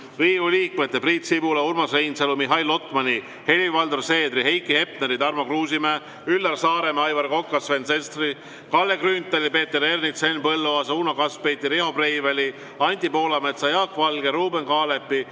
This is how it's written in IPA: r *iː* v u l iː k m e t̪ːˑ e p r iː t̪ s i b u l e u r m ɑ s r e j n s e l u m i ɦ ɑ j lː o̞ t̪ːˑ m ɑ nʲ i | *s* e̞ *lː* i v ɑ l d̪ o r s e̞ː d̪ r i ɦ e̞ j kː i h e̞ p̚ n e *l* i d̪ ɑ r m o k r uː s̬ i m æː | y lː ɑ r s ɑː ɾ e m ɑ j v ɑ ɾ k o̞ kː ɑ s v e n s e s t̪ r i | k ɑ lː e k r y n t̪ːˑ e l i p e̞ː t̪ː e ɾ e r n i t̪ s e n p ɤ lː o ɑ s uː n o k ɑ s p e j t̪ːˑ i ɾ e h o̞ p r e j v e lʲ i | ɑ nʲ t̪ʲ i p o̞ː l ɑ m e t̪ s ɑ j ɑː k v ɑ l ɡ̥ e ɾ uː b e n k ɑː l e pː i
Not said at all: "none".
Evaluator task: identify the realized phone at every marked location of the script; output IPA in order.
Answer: iː, h, l, ɾ

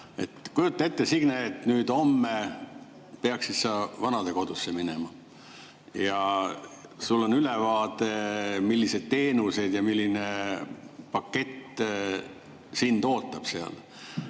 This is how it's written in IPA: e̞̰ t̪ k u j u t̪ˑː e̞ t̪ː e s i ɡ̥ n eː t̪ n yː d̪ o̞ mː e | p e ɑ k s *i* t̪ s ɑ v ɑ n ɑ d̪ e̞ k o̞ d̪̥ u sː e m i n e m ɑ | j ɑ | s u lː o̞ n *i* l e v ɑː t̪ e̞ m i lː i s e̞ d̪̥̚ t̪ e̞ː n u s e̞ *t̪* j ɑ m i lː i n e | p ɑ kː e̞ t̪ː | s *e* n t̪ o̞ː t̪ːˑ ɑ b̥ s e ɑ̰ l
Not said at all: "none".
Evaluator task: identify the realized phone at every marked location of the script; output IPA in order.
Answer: i, y, d̪, i

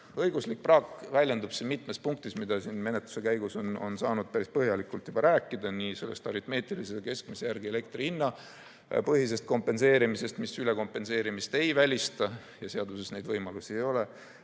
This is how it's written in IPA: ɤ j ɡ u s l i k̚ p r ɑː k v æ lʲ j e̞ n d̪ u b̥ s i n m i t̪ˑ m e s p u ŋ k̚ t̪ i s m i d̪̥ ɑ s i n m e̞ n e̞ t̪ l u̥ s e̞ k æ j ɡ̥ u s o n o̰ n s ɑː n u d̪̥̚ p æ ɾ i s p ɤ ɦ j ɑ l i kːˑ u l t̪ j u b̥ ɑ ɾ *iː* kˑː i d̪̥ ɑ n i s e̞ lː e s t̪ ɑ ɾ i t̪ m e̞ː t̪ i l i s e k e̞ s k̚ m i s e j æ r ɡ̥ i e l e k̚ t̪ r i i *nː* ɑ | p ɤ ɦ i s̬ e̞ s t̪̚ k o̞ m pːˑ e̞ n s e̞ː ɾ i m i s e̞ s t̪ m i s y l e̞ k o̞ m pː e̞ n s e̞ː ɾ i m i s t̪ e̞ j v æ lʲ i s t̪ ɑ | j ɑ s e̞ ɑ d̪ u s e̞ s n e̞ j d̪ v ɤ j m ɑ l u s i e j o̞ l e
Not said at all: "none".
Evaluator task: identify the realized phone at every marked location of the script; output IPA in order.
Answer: æː, nː

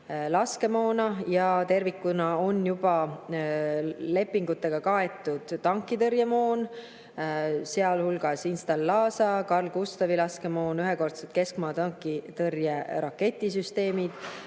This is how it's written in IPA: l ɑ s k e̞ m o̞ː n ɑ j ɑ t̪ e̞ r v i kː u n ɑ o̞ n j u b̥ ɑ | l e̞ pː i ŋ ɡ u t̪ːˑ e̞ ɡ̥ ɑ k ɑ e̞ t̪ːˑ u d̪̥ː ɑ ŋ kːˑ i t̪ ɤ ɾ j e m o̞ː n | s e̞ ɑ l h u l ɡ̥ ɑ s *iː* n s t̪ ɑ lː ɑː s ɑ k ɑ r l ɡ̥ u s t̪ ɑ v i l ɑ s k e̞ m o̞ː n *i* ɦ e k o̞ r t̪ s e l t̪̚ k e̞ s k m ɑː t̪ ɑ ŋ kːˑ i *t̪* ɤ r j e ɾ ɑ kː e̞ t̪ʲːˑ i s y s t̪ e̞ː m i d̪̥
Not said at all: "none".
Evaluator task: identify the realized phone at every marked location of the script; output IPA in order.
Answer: i, y, t̪

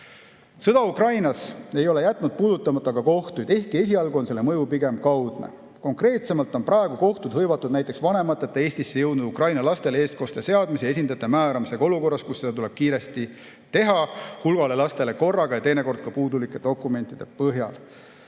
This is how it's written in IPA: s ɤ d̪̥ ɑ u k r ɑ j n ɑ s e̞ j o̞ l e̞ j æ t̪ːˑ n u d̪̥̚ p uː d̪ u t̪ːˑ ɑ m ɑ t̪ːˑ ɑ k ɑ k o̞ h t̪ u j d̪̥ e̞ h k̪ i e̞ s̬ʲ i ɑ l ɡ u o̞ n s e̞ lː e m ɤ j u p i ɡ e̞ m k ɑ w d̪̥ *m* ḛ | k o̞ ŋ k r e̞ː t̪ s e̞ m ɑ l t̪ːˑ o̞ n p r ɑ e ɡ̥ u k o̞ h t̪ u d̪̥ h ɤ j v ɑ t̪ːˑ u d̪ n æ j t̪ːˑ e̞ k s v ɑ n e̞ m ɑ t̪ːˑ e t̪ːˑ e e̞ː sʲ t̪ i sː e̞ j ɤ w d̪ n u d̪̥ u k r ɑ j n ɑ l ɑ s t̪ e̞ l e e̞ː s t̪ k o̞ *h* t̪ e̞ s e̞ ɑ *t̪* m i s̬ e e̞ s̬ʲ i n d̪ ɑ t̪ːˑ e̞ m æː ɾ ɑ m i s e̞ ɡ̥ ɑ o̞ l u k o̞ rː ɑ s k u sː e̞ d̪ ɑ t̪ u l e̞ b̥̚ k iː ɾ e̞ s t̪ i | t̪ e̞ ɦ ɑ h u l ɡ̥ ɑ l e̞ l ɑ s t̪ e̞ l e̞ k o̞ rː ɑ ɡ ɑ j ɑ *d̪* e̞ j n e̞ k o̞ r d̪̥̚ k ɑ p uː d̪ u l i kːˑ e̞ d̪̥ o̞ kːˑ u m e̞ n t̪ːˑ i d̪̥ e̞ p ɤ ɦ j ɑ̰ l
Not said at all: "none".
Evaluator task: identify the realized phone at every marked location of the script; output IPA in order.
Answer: n, s, d̪, t̪

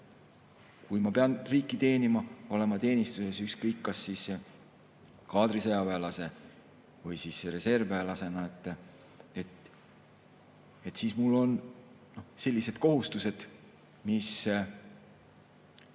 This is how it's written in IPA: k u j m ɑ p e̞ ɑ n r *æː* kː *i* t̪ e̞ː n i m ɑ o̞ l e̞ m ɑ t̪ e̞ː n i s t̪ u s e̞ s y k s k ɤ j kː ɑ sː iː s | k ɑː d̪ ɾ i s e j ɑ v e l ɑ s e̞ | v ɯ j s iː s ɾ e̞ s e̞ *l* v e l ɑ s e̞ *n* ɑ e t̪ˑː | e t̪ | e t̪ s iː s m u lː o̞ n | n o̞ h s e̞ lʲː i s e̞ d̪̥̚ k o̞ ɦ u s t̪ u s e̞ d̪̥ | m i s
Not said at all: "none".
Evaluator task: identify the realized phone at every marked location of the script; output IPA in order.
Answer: iː, i, r, n

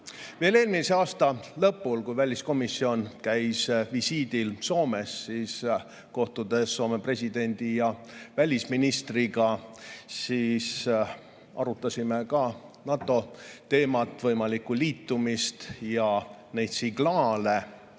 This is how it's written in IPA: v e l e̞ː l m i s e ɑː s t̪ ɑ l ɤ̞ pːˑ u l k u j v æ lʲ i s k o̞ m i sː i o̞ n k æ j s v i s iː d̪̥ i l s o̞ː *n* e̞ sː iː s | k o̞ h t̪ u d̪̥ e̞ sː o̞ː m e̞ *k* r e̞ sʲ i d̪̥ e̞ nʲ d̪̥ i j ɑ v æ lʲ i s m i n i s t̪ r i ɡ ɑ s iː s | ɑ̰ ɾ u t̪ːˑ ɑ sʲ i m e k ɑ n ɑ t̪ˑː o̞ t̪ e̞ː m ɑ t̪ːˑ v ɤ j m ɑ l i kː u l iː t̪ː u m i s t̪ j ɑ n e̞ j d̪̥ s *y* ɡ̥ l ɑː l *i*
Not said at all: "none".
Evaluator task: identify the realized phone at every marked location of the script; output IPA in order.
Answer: m, p, i, e

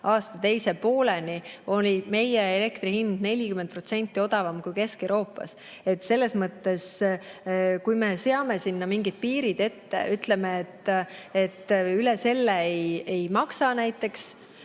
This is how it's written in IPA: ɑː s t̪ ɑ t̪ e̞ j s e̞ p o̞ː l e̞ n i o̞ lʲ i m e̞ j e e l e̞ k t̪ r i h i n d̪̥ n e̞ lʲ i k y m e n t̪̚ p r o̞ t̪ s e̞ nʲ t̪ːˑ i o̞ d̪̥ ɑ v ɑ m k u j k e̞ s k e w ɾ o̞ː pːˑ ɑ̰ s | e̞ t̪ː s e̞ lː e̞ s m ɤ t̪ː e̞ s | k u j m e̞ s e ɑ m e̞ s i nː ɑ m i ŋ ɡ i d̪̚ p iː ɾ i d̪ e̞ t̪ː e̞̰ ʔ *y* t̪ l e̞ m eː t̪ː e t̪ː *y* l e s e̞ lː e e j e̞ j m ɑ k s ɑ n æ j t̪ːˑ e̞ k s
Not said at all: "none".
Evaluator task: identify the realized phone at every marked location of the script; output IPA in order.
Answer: y, y

